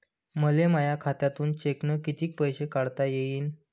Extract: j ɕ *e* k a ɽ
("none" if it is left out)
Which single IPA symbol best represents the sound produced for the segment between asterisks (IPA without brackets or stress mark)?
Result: e